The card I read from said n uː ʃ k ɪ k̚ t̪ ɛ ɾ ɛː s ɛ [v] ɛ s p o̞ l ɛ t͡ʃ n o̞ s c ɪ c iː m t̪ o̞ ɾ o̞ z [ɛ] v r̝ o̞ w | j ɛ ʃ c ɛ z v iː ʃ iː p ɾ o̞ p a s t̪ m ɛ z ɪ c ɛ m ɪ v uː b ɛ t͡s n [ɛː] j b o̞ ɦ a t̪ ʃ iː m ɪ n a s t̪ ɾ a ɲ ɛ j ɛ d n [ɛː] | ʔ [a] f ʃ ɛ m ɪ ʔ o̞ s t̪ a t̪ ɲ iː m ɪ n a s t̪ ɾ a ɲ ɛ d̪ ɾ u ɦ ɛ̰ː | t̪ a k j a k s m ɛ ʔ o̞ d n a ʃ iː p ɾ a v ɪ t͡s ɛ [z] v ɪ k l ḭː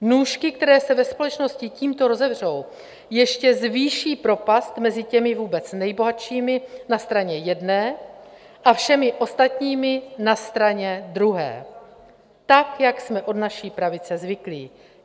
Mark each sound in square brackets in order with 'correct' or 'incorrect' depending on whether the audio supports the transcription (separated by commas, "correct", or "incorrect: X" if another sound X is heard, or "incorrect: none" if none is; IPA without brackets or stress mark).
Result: correct, correct, incorrect: ɛ, correct, correct, correct